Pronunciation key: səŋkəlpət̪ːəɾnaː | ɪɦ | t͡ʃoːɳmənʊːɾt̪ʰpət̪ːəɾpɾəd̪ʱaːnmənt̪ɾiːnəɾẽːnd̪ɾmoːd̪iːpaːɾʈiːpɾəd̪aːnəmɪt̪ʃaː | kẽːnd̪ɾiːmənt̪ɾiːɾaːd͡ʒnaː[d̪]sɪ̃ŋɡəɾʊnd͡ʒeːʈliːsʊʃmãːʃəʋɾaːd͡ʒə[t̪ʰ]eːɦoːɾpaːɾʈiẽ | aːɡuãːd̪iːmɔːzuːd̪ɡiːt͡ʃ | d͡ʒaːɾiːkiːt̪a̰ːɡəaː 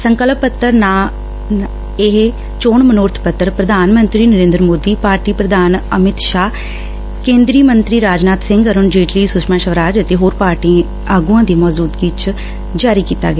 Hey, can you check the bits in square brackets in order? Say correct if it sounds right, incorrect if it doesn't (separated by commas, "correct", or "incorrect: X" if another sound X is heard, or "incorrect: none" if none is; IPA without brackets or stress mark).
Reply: incorrect: t̪, incorrect: t̪